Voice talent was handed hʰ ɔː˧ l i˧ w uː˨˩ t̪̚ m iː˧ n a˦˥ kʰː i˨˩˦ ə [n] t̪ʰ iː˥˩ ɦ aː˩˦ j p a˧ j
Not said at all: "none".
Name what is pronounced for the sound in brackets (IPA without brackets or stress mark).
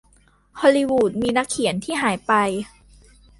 n